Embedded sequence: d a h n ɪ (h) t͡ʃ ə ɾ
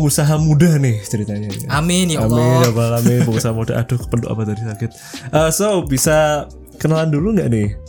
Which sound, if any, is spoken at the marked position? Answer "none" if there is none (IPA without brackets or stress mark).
h